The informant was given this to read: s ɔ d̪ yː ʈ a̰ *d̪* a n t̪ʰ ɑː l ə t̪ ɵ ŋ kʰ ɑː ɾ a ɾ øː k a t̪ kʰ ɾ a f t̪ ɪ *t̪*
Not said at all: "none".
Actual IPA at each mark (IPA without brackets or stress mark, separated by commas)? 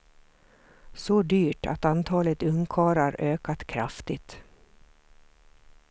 t̪, t̪